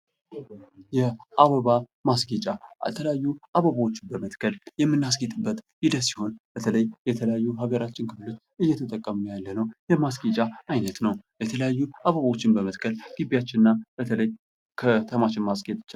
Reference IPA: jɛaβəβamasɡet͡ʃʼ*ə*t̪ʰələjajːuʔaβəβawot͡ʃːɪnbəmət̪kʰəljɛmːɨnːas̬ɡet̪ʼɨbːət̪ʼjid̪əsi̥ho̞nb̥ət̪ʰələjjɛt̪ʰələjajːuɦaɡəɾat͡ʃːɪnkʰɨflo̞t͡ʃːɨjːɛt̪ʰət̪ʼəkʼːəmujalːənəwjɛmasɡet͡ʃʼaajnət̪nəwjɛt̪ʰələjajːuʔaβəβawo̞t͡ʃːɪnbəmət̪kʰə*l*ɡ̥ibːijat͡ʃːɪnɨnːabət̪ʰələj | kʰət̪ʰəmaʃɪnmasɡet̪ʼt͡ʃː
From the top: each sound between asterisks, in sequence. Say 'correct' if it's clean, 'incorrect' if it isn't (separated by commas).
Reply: incorrect, correct